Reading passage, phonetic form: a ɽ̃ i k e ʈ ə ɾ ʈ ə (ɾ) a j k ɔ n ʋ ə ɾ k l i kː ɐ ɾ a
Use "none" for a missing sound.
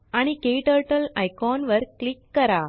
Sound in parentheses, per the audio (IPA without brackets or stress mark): l